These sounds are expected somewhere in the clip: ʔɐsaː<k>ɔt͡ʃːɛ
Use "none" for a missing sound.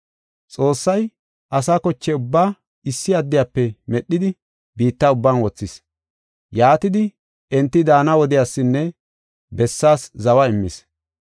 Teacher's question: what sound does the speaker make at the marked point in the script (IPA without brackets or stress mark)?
k